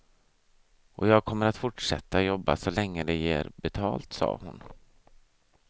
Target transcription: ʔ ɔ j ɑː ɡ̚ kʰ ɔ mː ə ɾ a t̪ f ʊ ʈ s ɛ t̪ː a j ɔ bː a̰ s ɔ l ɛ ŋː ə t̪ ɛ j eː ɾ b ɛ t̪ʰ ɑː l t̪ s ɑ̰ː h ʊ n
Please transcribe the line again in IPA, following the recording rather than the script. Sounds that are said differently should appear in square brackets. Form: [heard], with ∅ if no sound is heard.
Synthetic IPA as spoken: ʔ ɔ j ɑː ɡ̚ kʰ ɔ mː ə ɾ a t̪ f ʊ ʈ [ʂ] ɛ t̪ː a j ɔ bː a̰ s ɔ l ɛ ŋː ə [d̪] ɛ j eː ɾ b ɛ t̪ʰ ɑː l t̪ s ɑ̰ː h ʊ n